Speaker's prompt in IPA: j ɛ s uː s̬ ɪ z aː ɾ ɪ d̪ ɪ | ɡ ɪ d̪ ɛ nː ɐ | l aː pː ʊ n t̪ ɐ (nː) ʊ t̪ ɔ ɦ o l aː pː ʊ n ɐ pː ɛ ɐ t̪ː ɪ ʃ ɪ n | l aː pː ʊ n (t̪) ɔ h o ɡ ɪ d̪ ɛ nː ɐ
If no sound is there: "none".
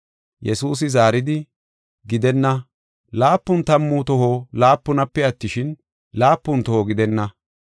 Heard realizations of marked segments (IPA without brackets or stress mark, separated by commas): mː, t̪